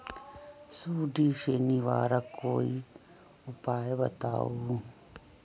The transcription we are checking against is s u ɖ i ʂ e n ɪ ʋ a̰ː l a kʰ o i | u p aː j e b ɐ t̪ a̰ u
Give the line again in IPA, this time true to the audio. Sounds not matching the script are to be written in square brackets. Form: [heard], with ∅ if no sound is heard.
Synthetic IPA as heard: s u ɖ i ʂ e n [i] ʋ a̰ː [ɾ] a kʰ o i | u p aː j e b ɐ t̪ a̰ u